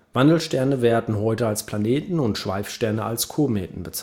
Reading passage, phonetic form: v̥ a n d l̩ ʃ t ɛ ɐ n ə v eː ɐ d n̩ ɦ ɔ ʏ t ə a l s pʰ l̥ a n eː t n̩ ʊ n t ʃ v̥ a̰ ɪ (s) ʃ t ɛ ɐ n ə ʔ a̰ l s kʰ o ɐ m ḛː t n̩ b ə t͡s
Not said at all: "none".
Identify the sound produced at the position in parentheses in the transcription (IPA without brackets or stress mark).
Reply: f